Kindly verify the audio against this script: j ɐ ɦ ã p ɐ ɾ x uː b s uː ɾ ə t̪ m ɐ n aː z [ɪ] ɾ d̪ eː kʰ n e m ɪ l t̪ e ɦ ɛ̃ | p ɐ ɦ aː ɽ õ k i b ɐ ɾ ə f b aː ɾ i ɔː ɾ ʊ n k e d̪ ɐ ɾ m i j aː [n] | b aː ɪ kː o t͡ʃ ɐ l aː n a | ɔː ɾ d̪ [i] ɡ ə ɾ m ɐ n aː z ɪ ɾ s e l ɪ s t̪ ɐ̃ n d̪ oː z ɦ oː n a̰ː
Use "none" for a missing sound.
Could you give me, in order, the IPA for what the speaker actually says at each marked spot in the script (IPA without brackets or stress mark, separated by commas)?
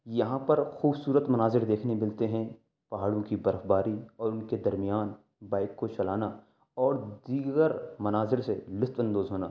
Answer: ɪ, n, iː